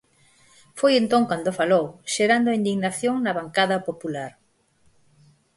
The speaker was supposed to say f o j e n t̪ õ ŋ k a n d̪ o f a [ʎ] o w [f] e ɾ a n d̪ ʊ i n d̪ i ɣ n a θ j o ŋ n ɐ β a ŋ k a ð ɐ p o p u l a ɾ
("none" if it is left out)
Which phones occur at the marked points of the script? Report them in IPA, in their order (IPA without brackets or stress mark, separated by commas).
l, ʃ